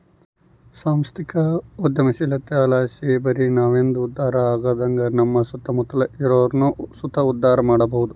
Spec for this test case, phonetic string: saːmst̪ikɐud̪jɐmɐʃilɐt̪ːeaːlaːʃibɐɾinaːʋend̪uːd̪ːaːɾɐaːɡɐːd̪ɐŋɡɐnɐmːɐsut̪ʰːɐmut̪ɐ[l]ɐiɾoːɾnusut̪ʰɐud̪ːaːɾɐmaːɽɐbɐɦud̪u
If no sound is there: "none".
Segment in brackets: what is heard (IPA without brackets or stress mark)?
l